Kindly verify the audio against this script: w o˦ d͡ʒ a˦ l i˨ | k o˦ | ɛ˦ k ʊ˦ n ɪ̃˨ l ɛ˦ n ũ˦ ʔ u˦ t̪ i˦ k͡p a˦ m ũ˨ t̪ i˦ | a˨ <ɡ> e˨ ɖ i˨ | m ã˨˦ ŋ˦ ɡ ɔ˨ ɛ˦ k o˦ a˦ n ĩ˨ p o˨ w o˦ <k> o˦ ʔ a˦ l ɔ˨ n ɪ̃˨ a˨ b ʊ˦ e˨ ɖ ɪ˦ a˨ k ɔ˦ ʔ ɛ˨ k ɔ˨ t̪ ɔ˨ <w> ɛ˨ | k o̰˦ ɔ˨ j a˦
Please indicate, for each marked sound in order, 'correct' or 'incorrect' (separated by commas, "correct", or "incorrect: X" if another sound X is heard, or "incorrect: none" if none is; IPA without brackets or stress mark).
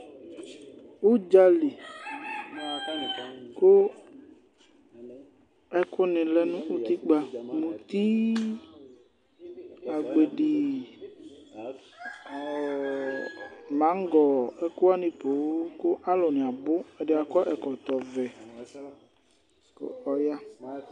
incorrect: ɡ͡b, correct, incorrect: v